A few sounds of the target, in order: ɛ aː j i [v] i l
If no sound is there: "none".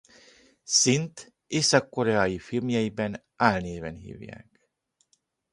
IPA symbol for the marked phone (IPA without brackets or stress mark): f